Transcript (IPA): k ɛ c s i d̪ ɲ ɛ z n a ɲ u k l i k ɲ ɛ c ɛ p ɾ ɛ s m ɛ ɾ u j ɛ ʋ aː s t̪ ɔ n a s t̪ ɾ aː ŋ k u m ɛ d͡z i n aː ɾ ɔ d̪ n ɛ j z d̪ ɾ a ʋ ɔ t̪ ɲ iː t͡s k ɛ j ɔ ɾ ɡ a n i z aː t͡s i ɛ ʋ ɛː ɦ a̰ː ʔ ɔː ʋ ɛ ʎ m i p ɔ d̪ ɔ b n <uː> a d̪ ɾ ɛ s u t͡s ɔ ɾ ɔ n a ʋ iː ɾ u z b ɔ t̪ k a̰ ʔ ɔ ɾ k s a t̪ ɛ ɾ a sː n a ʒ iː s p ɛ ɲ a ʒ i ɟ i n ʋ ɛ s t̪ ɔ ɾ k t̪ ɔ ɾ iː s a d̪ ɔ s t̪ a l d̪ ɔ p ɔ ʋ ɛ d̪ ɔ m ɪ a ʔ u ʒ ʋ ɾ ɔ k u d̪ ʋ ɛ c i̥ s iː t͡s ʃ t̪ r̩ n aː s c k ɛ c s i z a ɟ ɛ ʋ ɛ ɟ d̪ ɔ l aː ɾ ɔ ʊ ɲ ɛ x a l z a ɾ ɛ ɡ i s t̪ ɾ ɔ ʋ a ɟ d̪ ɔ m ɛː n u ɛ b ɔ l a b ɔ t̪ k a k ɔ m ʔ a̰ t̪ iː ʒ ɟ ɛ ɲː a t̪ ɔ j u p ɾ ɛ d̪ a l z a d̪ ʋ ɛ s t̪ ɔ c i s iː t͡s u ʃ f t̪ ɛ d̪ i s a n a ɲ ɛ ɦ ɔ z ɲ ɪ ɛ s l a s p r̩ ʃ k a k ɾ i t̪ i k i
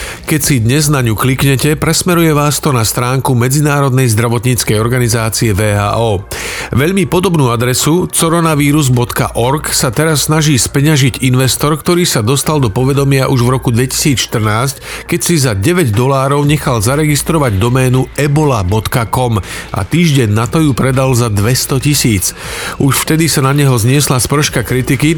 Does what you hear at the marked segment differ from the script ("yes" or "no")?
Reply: no